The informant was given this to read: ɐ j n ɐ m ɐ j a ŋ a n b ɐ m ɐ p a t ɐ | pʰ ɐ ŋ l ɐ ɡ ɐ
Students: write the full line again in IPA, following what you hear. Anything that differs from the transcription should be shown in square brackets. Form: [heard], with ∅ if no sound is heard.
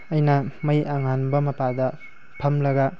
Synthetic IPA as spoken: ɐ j n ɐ m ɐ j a ŋ a n b ɐ m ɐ p a [d] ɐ | pʰ ɐ [m] l ɐ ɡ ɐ